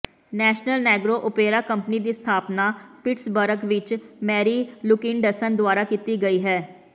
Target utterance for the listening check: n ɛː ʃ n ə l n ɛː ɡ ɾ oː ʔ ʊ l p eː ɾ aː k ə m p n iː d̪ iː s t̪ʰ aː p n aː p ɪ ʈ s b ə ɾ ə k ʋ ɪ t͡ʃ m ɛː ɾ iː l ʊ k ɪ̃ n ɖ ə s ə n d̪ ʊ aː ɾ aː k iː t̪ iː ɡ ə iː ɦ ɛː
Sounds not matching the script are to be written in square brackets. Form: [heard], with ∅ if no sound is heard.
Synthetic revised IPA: n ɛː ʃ n ə l n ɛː ɡ ɾ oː ʔ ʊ [∅] p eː ɾ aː k ə m p n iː d̪ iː s t̪ʰ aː p n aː p ɪ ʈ s b ə ɾ ə k ʋ ɪ t͡ʃ m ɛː ɾ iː l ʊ k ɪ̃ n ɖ ə s ə n d̪ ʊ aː ɾ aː k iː t̪ iː ɡ ə iː ɦ ɛː